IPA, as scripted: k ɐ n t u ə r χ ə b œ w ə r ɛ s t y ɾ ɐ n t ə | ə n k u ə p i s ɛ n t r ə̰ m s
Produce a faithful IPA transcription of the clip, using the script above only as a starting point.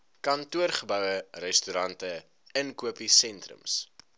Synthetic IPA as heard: k ɐ n t u ə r χ ə b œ w ə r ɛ s t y ɾ ɐ n t ə | ə n k u ə p i s ɛ n t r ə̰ m s